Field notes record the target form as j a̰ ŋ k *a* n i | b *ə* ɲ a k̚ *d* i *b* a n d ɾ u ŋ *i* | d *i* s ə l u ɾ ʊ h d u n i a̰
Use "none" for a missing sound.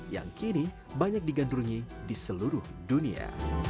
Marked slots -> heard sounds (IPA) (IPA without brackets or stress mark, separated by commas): i, a, d, ɡ, i, i